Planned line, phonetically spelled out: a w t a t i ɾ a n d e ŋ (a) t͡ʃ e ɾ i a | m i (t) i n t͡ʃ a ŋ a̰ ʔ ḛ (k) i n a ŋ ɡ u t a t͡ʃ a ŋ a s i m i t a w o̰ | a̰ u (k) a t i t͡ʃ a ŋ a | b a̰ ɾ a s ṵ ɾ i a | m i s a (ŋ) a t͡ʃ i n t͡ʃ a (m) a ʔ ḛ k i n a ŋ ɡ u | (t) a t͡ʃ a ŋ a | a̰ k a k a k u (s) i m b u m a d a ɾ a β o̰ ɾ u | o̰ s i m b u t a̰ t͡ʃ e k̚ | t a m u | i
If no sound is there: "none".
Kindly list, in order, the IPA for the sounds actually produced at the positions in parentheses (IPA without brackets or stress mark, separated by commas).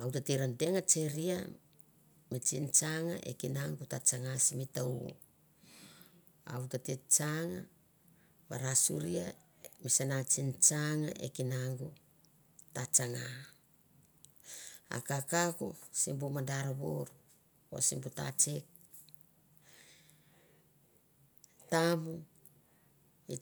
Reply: a, t͡ʃ, k, t, n, ŋ, t, s